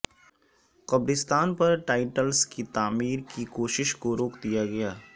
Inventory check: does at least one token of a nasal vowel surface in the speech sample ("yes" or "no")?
no